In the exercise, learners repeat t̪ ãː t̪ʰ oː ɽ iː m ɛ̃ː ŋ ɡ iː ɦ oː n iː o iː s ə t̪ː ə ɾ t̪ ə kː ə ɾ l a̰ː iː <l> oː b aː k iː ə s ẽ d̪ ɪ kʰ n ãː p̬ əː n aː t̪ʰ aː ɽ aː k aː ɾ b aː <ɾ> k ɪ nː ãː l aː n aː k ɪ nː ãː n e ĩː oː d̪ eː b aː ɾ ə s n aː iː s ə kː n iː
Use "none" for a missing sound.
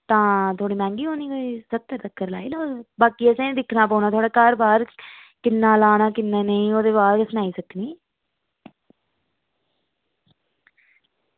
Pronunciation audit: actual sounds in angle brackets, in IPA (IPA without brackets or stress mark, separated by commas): l, ɾ